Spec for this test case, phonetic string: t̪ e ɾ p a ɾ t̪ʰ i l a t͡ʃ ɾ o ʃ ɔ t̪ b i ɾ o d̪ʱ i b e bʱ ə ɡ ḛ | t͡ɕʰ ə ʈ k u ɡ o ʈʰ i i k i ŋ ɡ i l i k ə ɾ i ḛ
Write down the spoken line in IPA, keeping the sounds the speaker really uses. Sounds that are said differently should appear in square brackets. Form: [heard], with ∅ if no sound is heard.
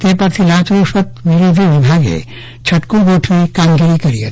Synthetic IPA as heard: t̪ e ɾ p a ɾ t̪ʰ i l a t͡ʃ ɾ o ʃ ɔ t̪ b i ɾ o d̪ʱ i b [i] bʱ [a] ɡ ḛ | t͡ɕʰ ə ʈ k u ɡ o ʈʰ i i k [a] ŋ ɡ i [ɾ] i k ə ɾ i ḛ